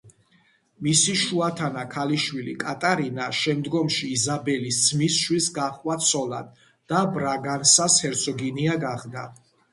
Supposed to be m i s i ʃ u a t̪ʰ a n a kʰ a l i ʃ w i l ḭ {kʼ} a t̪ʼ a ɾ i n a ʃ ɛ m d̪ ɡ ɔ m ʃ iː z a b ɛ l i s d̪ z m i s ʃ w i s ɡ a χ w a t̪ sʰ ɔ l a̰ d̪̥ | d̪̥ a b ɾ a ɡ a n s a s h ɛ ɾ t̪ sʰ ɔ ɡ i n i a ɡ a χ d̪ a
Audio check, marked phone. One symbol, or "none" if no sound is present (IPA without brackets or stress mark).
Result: kʼ